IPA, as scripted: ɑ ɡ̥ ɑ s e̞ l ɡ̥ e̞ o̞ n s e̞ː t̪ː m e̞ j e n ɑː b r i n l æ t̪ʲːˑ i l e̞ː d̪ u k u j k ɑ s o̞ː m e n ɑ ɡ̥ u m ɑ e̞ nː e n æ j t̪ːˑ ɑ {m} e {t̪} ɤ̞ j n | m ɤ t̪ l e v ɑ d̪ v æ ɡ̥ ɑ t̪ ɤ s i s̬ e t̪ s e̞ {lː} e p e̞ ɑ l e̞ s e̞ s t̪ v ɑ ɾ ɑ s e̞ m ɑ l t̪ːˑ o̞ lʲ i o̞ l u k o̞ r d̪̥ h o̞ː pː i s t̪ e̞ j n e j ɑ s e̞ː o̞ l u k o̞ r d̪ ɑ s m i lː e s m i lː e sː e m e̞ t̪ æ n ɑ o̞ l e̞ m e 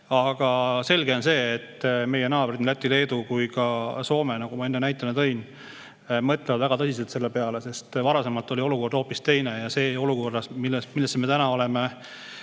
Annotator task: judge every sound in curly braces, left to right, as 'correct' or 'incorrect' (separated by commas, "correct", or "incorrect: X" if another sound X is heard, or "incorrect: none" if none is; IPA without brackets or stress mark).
incorrect: n, correct, correct